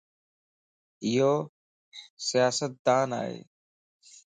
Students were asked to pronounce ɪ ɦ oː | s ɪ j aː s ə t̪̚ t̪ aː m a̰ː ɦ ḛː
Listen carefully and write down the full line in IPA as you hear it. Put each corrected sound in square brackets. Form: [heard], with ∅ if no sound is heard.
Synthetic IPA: ɪ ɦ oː | s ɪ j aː s ə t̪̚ [d̪] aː [n] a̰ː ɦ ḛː